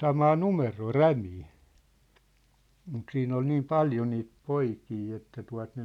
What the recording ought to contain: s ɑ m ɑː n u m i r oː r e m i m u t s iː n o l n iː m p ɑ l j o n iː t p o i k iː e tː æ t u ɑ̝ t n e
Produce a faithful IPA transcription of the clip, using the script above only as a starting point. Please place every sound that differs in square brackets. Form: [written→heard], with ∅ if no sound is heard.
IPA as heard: s ɑ m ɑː n u m [i→e] r oː r [e→æ] m [i→iː] m u t s iː n o l n iː m p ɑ l j o n iː t p o i k iː e tː æ t u ɑ̝ t n e

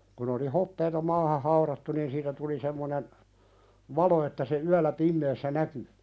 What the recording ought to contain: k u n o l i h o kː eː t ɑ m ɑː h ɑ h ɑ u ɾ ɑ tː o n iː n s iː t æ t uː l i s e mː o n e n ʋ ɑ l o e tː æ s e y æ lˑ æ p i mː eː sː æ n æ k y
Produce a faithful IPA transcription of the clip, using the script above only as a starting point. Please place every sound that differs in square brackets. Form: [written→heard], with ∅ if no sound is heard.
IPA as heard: k u n o l i h o [kː→pː] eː t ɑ m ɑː h ɑ h ɑ u ɾ ɑ tː [o→u] n iː n s iː t æ t [uː→u] l i s e mː o n e n ʋ ɑ l o e tː æ s e y æ lˑ æ p i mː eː sː æ n æ k y

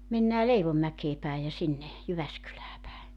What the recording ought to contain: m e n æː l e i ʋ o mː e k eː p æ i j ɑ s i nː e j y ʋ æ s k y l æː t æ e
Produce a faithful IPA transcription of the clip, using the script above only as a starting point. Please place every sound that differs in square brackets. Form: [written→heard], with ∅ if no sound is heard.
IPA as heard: m e [n→nː] æː l e i ʋ o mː [e→æ] k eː p æ i j ɑ s i nː e j y ʋ æ s k y l æː [t→p] æ e

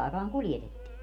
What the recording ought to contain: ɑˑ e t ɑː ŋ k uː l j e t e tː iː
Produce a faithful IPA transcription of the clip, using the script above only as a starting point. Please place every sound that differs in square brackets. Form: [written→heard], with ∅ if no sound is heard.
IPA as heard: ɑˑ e [t→k] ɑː ŋ k [uː→u] l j e t e tː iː

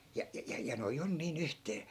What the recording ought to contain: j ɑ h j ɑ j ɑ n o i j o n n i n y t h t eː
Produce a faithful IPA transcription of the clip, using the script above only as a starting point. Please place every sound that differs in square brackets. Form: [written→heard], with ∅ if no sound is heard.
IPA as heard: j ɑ [h→∅] j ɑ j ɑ n o i j o n n [i→iː] n y [t→∅] h t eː

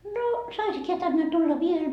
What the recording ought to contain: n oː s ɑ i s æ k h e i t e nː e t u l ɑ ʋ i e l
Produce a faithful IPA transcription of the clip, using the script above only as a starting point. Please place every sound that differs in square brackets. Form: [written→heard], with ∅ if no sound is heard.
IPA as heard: n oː s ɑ i s [æ→i] k h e [i→æ] t [e→æ] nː e t u [l→lː] ɑ ʋ i e l

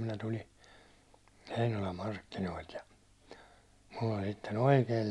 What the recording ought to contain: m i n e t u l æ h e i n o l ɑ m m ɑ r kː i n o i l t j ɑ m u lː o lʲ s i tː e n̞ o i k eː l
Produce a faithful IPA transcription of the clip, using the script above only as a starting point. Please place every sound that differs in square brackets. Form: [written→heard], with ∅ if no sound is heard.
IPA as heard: m i n [e→æ] t u l [æ→i] h e i n o l ɑ m m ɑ r kː i n o i l t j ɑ m u lː o lʲ s i tː e n̞ o i k eː l

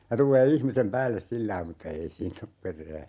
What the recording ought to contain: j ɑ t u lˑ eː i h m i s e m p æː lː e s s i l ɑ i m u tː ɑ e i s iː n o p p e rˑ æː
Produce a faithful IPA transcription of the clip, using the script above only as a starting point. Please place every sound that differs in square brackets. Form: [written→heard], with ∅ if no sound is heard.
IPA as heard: j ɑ t u lˑ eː i h m i s e m p æː lː e s s i [l→lː] ɑ i m u tː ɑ e i s iː n o p p e rˑ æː

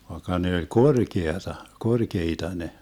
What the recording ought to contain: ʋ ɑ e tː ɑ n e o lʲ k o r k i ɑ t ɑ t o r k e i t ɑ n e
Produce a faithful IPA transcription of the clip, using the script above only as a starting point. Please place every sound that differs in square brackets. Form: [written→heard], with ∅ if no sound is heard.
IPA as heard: ʋ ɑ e [tː→kː] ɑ n e o lʲ k o r k [i→e] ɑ t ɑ [t→k] o r k e i t ɑ n e

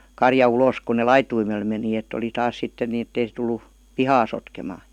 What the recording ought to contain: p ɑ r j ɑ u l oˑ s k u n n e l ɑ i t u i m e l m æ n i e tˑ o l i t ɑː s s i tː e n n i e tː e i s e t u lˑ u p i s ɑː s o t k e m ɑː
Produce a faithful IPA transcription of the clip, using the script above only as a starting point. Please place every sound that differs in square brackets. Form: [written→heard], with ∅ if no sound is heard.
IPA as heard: [p→k] ɑ r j ɑ u l oˑ s k u n n e l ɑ i t u i m e l m [æ→e] n i e tˑ o l i t ɑː s s i tː e n n i e tː e i s e t u lˑ u p i [s→h] ɑː s o t k e m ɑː

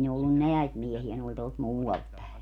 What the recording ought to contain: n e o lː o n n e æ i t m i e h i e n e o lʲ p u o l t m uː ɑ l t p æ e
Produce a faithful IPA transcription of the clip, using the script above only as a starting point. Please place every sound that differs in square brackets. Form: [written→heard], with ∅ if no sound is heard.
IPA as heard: n e o lː [o→u] n n e æ i t m i e h i [e→æ] n e o lʲ [p→t] u o l t m uː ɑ l t p æ e

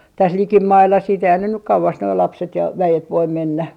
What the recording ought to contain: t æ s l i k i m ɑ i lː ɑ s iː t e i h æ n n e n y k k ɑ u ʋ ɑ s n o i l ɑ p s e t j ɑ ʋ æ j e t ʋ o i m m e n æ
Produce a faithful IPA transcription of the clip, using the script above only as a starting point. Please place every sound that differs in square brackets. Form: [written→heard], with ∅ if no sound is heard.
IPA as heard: t æ s l i k i m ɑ i lː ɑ s iː t e i h æ n n e n y k k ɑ u ʋ ɑ s n o i l ɑ p s e t j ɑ ʋ æ j e t ʋ o i m m e [n→nː] æ

